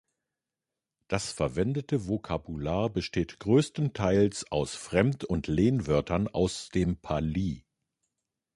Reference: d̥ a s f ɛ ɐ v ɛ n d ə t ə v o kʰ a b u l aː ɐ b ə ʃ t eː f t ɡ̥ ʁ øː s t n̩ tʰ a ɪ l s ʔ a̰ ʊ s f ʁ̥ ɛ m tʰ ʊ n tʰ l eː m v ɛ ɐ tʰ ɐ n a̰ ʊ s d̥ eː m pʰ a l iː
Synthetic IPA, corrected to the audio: d̥ a s f ɛ ɐ v ɛ n d ə t ə v o kʰ a b u l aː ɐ b ə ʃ t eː t ɡ̥ ʁ øː s t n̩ tʰ a ɪ l s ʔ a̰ ʊ s f ʁ̥ ɛ m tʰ ʊ n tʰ l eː n v œ ɐ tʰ ɐ n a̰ ʊ s d̥ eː m pʰ a l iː